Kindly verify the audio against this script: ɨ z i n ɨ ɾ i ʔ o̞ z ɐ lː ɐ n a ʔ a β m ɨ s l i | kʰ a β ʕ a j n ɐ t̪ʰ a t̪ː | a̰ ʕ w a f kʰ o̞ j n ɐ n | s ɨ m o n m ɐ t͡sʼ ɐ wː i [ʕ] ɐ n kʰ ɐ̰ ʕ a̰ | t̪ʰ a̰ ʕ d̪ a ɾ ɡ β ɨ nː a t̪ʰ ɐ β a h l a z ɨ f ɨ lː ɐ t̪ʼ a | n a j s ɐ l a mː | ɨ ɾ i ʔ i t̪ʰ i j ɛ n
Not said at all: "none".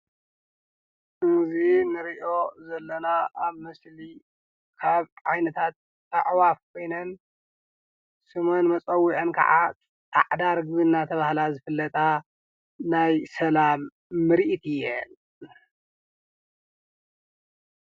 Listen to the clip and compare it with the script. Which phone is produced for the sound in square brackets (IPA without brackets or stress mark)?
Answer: ʕ